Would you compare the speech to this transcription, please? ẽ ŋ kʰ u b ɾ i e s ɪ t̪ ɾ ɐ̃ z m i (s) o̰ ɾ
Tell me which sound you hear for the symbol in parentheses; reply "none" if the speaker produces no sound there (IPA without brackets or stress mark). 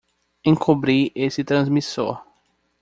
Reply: s